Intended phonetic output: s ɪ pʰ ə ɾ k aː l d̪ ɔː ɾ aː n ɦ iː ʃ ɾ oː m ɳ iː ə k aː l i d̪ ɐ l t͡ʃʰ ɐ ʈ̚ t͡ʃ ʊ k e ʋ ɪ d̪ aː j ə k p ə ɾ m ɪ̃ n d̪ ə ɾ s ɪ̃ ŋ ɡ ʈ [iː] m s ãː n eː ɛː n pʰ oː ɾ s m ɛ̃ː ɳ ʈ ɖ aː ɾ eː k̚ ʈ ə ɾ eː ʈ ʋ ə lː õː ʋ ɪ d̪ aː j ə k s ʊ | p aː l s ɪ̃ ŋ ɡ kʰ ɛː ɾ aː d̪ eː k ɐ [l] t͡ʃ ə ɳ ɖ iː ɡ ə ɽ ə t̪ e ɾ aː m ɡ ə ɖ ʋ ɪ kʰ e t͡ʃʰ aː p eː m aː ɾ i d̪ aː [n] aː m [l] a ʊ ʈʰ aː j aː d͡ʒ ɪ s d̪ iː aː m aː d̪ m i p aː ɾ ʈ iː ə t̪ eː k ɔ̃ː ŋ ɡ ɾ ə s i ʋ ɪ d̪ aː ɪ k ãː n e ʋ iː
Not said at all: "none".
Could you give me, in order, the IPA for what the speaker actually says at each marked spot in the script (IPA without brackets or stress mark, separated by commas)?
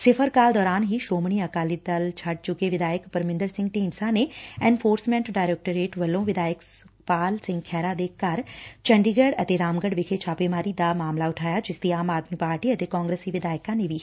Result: iː, ɾ, m, l